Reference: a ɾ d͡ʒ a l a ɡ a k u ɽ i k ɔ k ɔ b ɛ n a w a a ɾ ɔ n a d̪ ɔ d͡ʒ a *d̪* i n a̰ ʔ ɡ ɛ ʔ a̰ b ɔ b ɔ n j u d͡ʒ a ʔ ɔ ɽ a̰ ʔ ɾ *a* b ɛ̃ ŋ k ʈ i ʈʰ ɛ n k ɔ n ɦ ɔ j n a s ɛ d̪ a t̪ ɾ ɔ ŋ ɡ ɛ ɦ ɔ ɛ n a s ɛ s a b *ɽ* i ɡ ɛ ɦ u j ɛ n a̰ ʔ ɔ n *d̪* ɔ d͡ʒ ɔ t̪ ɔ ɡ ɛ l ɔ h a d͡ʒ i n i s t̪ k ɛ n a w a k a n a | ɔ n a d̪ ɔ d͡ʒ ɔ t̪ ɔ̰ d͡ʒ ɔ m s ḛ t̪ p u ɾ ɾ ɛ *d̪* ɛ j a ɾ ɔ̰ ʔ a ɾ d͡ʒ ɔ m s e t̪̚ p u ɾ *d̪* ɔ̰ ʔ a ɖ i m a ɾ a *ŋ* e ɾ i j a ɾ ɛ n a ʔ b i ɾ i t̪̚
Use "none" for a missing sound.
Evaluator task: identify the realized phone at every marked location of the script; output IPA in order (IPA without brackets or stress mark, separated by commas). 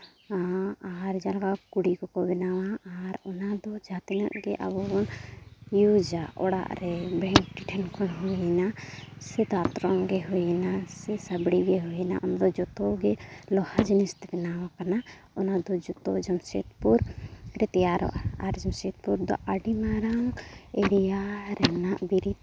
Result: t̪, ɛ, ɽ, d̪, t̪, d̪, ŋ